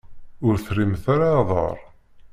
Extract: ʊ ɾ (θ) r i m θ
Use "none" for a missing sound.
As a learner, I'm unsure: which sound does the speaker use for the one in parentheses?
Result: θ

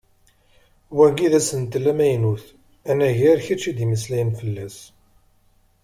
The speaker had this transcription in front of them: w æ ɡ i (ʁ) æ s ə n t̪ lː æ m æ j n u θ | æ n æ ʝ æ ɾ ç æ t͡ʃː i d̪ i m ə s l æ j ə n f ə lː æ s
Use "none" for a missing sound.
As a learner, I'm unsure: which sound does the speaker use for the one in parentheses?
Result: ð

